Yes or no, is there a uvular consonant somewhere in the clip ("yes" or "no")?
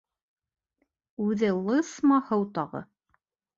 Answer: yes